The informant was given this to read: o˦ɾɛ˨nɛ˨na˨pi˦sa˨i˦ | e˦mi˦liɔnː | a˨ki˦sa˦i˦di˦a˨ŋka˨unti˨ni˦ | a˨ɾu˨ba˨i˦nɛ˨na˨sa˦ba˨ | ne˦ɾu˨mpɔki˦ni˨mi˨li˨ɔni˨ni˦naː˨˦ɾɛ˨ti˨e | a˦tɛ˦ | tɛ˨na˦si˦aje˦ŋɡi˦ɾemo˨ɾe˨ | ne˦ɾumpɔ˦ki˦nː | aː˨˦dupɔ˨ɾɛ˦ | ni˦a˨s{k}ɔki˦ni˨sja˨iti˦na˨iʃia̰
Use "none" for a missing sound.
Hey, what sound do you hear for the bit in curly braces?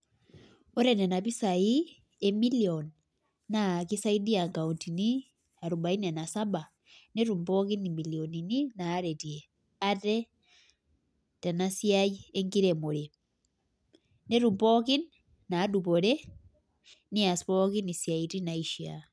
p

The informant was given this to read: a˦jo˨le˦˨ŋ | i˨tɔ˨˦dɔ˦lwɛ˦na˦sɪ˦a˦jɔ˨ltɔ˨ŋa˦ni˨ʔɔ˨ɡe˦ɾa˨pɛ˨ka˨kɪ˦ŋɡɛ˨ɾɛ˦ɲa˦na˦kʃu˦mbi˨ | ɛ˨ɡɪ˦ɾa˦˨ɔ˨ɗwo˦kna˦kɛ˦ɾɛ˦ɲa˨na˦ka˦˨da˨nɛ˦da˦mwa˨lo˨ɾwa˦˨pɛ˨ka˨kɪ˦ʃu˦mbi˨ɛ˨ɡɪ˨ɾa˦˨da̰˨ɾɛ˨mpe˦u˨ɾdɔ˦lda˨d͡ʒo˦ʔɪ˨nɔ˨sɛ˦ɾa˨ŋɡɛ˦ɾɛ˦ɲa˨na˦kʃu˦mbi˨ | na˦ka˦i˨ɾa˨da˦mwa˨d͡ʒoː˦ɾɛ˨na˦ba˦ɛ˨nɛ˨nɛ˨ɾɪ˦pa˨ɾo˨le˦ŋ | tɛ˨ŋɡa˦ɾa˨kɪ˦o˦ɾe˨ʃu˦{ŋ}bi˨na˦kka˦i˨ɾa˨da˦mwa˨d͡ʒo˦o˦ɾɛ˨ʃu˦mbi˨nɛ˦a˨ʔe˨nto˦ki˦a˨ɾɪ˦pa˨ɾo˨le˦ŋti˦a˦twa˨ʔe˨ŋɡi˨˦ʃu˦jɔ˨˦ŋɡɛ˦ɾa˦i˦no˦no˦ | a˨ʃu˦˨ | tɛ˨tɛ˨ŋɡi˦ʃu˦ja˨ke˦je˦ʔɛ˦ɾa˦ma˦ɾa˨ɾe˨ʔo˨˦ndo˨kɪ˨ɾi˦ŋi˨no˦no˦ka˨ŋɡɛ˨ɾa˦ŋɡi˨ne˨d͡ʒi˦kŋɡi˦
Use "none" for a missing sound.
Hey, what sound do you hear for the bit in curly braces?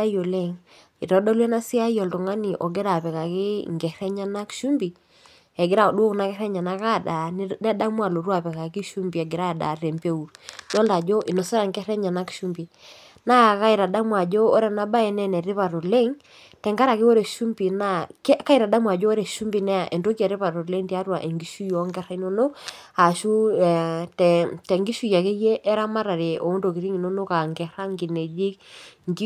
m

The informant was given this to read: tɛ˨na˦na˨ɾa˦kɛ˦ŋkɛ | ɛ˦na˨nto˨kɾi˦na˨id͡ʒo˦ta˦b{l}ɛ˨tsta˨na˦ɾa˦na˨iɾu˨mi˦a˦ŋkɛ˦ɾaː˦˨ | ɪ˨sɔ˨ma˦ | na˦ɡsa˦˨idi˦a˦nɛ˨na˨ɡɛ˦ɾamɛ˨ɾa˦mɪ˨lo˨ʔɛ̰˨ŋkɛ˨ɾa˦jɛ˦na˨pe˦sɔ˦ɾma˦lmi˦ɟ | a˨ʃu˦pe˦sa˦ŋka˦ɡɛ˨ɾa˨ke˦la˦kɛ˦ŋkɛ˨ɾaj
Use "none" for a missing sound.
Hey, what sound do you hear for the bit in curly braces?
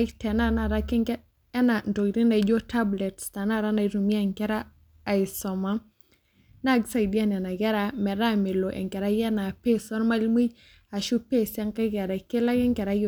l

